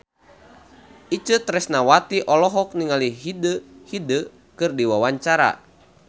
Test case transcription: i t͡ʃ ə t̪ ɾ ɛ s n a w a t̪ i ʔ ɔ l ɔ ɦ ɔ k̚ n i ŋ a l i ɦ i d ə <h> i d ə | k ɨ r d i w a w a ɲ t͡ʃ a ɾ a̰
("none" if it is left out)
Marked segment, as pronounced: h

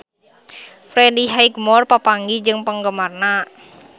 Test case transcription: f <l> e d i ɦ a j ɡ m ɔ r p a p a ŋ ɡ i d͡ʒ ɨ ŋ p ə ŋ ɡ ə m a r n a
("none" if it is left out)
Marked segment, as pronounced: ɾ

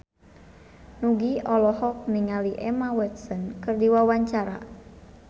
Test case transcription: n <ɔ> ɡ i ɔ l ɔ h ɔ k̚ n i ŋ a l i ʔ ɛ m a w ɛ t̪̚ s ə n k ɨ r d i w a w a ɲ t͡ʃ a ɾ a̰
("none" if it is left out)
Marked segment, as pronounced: u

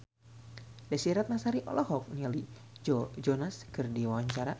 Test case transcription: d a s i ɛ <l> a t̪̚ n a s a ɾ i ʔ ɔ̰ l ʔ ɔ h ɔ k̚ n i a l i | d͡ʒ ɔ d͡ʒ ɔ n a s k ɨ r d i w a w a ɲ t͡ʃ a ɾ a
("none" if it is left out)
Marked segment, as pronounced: ɾ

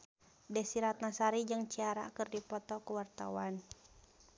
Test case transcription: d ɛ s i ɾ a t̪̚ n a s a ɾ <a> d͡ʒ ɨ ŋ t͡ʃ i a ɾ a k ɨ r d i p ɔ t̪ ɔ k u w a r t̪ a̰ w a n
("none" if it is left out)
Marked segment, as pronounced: i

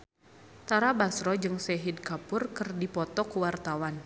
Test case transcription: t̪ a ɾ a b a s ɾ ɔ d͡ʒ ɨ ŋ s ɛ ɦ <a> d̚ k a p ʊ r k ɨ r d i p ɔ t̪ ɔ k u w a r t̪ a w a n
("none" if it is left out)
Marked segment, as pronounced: i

